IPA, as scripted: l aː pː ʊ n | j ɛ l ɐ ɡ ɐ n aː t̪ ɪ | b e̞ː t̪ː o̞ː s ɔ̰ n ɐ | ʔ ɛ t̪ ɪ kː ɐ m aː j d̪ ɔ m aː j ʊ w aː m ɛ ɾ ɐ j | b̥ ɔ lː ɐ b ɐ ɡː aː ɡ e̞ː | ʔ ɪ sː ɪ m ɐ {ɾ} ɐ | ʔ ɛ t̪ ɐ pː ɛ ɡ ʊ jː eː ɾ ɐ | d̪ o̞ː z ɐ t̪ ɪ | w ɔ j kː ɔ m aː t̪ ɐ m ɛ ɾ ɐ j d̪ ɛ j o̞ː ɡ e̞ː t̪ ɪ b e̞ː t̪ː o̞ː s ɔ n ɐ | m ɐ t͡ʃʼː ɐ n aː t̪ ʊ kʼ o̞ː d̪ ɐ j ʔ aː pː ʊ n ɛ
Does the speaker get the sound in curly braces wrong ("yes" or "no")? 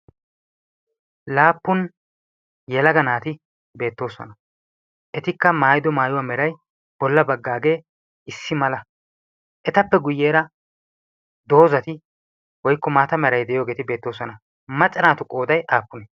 yes